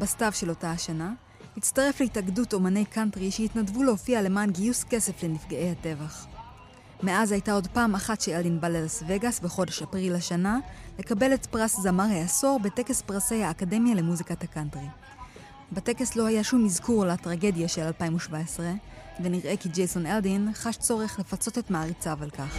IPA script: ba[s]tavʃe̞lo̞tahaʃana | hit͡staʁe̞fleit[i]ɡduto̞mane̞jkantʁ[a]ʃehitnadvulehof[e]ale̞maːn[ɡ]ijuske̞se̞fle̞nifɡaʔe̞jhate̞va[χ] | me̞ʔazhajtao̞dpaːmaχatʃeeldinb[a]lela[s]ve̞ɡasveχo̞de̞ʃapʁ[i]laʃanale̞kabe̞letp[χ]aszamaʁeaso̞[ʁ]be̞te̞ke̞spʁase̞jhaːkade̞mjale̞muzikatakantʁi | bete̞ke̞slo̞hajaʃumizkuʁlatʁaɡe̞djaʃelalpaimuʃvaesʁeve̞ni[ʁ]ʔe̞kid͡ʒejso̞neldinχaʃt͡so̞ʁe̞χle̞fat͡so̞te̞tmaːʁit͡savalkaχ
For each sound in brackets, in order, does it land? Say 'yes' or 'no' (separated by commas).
yes, no, no, no, yes, yes, yes, yes, yes, no, yes, yes